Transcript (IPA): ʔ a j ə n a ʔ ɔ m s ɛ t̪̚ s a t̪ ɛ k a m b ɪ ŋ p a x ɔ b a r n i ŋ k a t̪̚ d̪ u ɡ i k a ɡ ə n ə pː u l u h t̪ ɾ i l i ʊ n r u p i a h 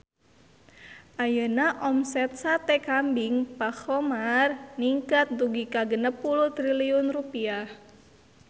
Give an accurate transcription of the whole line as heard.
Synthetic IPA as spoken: ʔ a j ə n a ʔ ɔ m s ɛ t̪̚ s a t̪ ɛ k a m b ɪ ŋ p a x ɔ m a r n i ŋ k a t̪̚ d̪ u ɡ i k a ɡ ə n ə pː u l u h t̪ ɾ i l i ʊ n r u p i a h